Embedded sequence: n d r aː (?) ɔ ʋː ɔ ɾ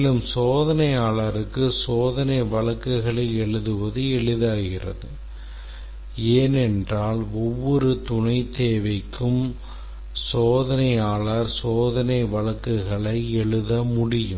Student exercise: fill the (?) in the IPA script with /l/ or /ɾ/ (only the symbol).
l